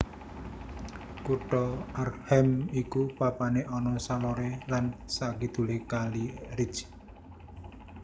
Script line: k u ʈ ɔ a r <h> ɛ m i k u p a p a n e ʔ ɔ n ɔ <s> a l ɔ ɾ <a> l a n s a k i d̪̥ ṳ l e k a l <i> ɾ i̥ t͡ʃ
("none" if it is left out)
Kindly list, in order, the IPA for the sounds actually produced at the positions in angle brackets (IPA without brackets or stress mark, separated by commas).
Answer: h, s, e, i